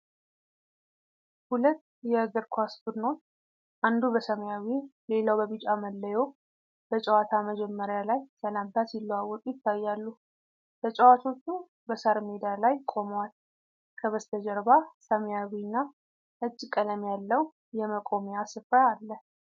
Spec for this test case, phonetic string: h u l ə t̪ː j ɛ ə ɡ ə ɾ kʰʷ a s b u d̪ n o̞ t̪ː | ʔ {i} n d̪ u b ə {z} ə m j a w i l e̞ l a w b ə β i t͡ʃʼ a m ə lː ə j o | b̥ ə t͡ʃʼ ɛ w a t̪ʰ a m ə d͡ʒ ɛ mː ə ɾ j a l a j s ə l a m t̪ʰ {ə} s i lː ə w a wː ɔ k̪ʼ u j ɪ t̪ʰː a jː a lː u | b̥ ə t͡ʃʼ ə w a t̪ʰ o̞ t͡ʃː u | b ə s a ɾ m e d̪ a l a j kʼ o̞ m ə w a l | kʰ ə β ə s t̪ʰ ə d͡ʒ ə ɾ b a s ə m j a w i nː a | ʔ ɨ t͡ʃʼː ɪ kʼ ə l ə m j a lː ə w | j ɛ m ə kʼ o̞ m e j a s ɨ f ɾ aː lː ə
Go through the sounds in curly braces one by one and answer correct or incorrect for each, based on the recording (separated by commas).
incorrect, incorrect, incorrect